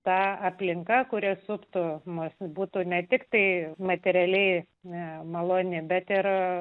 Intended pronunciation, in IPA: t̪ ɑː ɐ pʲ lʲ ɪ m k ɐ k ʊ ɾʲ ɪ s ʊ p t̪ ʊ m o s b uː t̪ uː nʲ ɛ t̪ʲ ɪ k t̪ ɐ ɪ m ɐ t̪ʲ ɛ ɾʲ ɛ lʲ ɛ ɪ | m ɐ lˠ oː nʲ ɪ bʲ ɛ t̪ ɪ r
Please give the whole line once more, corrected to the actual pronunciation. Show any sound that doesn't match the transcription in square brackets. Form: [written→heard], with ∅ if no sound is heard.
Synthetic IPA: t̪ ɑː ɐ pʲ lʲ ɪ [m→ŋ] k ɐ k ʊ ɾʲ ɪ s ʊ p t̪ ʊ m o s b uː t̪ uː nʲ ɛ t̪ʲ ɪ k t̪ ɐ ɪ m ɐ t̪ʲ ɛ ɾʲ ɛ lʲ ɛ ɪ | m ɐ lˠ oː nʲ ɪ bʲ ɛ t̪ ɪ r